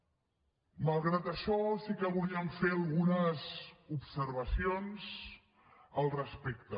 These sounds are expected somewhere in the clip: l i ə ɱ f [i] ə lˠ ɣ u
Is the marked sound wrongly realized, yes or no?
yes